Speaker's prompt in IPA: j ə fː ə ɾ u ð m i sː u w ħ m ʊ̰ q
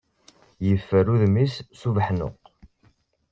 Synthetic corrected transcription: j ə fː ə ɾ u ð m i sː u v ħ n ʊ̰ q